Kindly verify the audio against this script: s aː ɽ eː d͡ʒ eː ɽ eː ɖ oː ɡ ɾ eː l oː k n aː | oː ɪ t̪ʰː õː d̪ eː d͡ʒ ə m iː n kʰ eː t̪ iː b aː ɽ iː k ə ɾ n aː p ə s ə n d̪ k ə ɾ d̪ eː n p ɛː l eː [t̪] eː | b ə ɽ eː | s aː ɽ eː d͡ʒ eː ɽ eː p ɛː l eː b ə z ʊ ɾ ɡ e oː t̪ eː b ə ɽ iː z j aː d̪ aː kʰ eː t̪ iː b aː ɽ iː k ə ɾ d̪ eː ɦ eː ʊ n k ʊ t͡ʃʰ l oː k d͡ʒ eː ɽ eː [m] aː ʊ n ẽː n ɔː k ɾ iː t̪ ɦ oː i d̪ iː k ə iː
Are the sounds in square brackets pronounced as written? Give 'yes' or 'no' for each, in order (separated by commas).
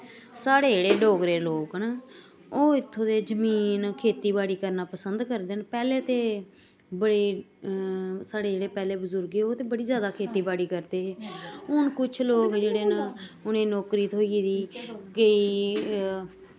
yes, no